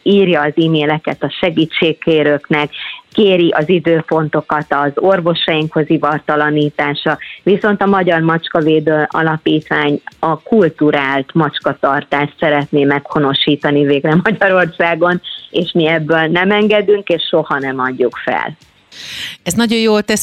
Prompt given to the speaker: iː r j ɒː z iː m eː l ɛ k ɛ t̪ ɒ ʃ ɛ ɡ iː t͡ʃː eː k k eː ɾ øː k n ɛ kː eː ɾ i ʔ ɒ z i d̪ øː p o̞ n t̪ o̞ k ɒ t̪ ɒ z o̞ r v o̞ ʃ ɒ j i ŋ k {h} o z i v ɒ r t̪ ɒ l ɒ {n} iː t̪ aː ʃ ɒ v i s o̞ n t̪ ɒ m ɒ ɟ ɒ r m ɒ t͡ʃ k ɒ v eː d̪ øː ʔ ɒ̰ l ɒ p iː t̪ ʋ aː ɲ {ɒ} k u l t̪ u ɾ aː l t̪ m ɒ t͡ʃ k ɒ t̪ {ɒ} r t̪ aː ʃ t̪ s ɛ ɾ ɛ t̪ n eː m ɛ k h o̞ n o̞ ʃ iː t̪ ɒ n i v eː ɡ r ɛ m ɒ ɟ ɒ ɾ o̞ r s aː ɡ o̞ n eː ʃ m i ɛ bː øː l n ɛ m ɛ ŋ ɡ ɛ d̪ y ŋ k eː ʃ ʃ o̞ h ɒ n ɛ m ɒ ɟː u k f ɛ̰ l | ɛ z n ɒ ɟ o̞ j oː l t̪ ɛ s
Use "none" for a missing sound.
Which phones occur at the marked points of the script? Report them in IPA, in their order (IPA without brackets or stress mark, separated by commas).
h, n, ɒ, ɒ